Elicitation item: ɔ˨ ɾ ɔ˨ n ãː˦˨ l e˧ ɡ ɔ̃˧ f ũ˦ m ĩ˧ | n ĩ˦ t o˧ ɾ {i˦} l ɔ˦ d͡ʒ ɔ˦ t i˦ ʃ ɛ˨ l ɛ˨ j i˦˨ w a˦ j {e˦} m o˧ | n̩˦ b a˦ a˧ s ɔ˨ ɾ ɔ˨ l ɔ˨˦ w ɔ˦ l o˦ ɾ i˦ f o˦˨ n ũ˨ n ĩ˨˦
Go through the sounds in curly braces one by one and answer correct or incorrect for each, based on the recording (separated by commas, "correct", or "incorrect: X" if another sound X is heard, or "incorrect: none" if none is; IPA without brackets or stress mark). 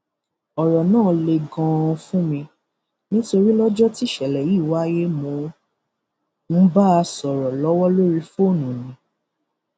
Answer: correct, correct